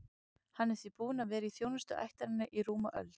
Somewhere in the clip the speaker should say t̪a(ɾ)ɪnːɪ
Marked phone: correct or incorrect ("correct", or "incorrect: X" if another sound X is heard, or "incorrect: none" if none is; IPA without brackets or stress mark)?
correct